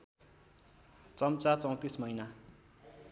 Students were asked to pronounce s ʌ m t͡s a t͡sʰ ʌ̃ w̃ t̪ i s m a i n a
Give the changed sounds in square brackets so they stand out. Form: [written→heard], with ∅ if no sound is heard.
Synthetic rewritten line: [s→t͡s] ʌ m t͡s a [t͡sʰ→t͡s] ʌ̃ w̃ t̪ i s m [a→ʌ] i n a

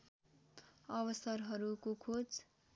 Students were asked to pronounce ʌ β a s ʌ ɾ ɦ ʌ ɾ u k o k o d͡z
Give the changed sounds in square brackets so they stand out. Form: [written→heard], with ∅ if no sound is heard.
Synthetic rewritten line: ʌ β [a→ʌ] s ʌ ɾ ɦ ʌ ɾ u k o [k→kʰ] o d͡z

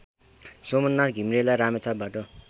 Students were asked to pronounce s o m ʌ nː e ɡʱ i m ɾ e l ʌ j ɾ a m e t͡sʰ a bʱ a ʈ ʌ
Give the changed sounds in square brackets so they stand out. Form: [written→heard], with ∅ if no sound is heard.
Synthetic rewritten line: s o m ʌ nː [e→a] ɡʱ i m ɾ e l [ʌ→a] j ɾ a m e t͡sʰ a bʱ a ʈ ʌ

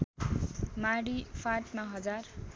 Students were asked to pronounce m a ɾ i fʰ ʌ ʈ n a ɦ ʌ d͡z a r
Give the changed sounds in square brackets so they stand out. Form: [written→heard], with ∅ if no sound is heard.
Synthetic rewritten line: m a [ɾ→ɽ] i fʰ [ʌ→a] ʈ [n→m] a ɦ ʌ d͡z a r

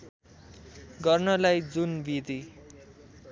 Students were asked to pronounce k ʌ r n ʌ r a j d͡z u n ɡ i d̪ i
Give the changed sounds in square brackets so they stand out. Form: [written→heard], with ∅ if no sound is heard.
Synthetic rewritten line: [k→ɡ] ʌ r n ʌ [r→l] a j d͡z u n [ɡ→b] i d̪ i

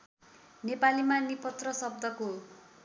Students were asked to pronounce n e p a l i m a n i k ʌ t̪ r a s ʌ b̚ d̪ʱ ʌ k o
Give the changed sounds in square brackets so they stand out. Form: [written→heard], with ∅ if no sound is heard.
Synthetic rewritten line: n e p a l i m a n i [k→p] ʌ t̪ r [a→ʌ] s ʌ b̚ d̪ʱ ʌ k o

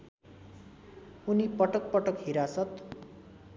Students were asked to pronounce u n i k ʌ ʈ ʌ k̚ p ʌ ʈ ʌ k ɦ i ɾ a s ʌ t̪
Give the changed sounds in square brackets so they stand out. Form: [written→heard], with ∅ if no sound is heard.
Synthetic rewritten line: u n i [k→p] ʌ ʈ ʌ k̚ p ʌ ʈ ʌ k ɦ i ɾ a s ʌ t̪

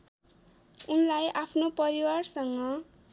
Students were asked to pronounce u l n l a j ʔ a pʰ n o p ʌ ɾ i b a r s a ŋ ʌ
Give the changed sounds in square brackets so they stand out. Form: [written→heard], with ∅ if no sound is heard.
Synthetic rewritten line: u [l→∅] n l a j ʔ a pʰ n o p ʌ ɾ i [b→w] a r s [a→ʌ] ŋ ʌ

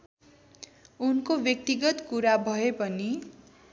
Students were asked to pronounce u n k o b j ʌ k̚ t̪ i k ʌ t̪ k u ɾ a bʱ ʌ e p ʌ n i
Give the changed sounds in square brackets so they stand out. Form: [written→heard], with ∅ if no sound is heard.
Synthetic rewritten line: u n k o b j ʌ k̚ t̪ i [k→ɡ] ʌ t̪ k u ɾ a bʱ ʌ e p ʌ n i

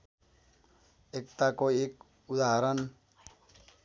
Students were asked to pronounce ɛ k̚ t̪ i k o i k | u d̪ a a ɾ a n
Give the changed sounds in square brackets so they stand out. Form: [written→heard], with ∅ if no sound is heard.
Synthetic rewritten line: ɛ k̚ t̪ [i→a] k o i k | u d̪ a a ɾ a n

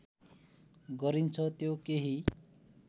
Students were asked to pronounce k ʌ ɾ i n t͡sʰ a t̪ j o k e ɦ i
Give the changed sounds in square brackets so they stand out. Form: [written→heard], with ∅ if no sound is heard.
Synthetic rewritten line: [k→ɡ] ʌ ɾ i n t͡sʰ [a→ʌ] t̪ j o k e ɦ i

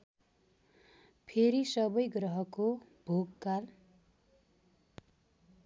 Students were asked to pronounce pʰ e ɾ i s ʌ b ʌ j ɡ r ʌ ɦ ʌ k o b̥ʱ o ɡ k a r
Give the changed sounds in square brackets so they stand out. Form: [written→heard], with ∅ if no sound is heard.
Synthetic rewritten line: pʰ e ɾ i s ʌ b ʌ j ɡ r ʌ ɦ ʌ k o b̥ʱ o ɡ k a [r→l]

